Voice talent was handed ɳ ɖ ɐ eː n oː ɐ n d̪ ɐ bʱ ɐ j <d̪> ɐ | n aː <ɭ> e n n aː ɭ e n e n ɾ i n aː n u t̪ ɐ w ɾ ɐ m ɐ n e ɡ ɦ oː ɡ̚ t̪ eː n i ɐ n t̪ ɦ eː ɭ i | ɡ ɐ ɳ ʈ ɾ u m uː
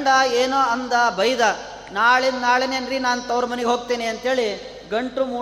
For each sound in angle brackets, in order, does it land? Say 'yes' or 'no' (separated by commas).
yes, yes